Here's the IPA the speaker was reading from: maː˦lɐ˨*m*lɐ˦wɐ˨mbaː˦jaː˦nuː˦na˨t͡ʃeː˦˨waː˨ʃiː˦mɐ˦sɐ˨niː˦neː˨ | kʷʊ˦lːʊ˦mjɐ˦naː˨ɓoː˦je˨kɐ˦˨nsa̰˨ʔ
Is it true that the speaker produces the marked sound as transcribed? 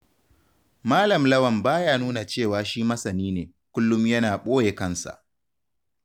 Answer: yes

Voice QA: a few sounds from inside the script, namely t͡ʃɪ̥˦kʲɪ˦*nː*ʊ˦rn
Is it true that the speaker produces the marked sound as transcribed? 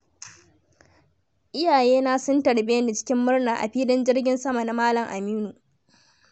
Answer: no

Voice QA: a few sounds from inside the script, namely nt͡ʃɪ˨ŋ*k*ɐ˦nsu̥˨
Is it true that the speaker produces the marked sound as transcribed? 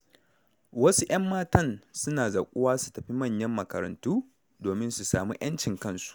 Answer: yes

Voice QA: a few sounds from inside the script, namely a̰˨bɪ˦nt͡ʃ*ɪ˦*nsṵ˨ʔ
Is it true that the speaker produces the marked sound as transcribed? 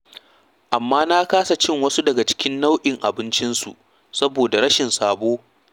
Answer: yes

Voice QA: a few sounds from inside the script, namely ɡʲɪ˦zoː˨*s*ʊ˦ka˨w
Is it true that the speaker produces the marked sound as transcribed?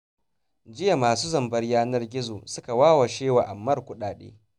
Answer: yes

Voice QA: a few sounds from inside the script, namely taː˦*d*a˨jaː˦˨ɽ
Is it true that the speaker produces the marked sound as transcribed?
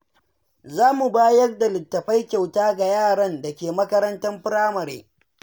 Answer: no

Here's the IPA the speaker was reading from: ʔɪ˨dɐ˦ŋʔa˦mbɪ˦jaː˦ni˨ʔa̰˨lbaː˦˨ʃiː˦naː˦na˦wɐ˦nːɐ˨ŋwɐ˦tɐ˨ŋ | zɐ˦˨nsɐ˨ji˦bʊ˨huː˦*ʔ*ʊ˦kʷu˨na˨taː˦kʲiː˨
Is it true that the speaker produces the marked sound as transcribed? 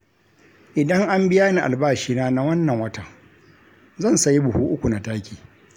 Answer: yes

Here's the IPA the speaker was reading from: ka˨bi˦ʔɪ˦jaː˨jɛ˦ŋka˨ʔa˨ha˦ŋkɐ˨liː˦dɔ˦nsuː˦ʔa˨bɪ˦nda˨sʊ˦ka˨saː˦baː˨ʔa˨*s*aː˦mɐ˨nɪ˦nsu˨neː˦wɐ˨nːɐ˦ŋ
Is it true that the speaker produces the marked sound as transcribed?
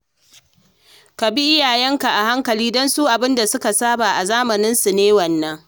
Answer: no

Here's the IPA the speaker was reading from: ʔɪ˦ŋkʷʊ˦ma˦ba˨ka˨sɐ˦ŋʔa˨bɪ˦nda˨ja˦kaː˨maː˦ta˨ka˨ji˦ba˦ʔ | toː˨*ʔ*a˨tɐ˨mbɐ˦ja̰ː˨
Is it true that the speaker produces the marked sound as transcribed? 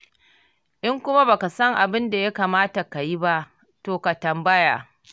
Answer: no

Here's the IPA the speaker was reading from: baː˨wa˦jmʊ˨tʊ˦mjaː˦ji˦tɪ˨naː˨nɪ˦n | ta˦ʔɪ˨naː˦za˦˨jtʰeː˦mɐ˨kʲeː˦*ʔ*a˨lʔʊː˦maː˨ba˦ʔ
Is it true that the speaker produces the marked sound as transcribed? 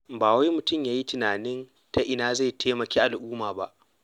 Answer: yes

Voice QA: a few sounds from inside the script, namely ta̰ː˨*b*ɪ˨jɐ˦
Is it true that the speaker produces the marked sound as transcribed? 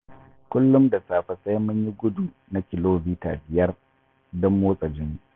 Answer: yes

